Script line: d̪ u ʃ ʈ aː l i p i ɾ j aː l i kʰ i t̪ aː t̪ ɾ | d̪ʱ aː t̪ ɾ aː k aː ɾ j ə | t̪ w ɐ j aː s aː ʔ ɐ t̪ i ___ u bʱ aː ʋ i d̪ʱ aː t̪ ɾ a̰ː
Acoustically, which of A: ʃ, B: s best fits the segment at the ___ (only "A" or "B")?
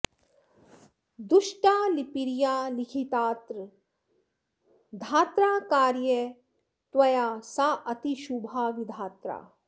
A